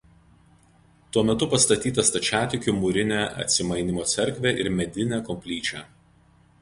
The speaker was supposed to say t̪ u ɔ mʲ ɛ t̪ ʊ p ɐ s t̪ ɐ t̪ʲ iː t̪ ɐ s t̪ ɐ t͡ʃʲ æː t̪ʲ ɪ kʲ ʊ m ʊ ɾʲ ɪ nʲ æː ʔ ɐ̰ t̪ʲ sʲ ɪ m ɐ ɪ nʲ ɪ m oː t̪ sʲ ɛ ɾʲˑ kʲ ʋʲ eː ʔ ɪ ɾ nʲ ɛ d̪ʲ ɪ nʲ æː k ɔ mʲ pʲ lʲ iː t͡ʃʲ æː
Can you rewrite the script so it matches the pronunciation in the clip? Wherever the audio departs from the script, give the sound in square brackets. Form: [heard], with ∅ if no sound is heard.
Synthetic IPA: t̪ u ɔ mʲ ɛ t̪ ʊ p ɐ s t̪ ɐ t̪ʲ iː t̪ ɐ s t̪ ɐ t͡ʃʲ æː t̪ʲ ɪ kʲ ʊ m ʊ ɾʲ ɪ nʲ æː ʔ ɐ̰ t̪ʲ sʲ ɪ m ɐ ɪ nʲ ɪ m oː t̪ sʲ ɛ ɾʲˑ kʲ ʋʲ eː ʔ ɪ ɾ [mʲ] ɛ d̪ʲ ɪ nʲ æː k ɔ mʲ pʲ lʲ iː t͡ʃʲ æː